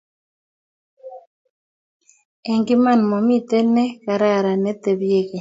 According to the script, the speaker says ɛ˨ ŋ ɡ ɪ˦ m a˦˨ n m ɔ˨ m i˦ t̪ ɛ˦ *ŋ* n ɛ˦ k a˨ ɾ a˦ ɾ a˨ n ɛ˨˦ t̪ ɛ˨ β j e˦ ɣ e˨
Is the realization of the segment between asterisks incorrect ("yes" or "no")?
yes